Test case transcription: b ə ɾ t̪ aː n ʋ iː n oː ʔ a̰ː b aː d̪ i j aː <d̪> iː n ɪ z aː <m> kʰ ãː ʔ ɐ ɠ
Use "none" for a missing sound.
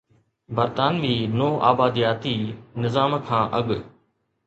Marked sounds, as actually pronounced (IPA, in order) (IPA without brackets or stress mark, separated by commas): t̪, m